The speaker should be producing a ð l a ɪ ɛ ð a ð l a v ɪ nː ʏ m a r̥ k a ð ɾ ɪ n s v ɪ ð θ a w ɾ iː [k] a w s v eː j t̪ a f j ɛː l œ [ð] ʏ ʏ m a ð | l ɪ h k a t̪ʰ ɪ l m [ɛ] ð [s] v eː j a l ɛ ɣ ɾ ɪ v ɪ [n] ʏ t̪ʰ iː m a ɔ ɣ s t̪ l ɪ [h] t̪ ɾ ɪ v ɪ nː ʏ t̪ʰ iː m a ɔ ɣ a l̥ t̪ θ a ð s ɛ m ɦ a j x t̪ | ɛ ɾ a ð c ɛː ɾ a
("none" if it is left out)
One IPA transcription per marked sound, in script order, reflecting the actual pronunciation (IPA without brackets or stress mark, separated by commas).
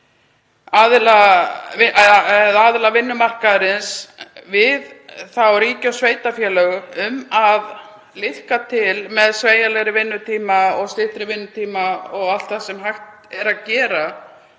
c, ɣ, ɛ, s, nː, h